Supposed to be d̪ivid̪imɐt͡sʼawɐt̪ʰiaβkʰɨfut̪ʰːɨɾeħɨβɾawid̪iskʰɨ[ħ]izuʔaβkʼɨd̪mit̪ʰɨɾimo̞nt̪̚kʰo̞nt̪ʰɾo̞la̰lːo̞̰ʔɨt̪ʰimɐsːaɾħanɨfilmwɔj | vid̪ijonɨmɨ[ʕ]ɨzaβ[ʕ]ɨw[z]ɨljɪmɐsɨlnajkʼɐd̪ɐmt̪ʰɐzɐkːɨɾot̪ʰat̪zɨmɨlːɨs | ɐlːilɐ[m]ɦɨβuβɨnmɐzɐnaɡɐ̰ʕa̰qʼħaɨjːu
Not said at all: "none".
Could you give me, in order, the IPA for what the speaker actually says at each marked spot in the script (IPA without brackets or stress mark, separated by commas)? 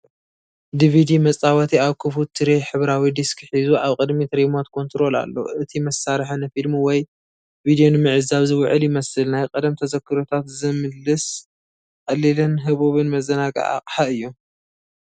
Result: ħ, ʕ, z, ʕ, n